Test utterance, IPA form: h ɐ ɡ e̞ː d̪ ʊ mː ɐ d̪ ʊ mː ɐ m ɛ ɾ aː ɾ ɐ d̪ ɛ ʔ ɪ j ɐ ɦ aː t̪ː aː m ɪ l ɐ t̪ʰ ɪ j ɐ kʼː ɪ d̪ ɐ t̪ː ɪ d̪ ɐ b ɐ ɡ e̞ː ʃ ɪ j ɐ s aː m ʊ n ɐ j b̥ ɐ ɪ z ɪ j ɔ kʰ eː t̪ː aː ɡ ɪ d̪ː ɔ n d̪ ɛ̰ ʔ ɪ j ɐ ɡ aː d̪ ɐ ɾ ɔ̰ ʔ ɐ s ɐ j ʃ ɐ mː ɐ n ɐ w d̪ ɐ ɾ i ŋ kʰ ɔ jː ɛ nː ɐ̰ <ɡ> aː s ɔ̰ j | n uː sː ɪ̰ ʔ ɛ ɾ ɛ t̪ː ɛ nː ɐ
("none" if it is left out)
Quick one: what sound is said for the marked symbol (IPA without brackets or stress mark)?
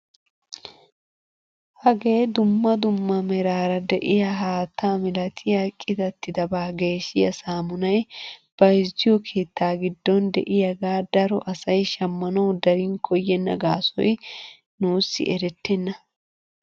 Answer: ɡ